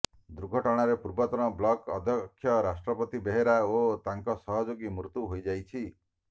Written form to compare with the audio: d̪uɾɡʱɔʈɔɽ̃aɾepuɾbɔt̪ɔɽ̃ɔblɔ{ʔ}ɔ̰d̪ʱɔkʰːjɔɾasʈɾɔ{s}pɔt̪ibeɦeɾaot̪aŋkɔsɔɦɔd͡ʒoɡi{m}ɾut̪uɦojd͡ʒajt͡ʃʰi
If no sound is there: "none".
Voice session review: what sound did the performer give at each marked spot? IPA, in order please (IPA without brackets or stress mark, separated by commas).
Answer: k, none, m